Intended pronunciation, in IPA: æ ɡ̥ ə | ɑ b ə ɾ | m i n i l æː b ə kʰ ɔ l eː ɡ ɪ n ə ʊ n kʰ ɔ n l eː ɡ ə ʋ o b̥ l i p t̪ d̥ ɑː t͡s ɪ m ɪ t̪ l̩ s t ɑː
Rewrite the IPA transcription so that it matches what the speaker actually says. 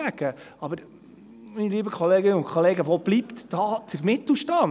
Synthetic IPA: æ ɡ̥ ə | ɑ b ə ɾ | m i n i l iː b ə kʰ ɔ l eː ɡ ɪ n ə ʊ n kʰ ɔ l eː ɡ ə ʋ o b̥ l i p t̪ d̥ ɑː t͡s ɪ m ɪ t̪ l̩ ʃ t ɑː